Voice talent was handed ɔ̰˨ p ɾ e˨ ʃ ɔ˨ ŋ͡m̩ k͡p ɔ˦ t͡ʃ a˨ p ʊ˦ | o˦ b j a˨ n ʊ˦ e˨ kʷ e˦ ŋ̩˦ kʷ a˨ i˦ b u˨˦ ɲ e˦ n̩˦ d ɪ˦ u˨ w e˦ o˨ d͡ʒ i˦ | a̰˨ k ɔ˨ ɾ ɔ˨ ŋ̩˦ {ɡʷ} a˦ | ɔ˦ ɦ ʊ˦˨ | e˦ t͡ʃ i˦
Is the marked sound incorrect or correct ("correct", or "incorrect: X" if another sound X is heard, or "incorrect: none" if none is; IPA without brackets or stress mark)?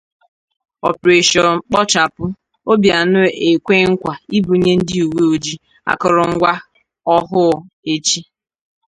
correct